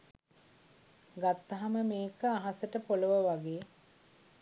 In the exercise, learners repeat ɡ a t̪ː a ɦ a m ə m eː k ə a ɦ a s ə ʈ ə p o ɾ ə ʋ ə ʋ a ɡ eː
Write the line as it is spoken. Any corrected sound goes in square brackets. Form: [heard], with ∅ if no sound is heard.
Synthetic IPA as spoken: ɡ a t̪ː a ɦ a m ə m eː k ə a ɦ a s ə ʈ ə p o [l] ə ʋ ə ʋ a ɡ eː